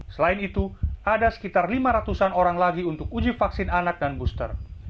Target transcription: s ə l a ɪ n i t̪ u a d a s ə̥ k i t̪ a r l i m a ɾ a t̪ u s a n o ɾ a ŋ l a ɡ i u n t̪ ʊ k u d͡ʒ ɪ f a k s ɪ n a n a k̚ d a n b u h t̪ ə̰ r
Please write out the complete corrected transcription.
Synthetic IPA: s ə l a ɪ n i t̪ u a d a s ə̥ k i t̪ a r l i m a ɾ a t̪ u s a n o ɾ a ŋ l a ɡ i u n t̪ ʊ k u d͡ʒ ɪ f a k s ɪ n a n a k̚ d a n b u s t̪ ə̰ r